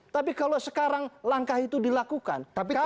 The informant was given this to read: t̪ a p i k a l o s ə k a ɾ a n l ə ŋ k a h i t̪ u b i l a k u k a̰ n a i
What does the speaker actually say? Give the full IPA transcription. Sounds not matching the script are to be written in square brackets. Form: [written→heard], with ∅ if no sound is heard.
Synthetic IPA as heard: t̪ a p i k a l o s ə k a ɾ a [n→ŋ] l [ə→a] ŋ k a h i t̪ u [b→d] i l a k u k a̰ n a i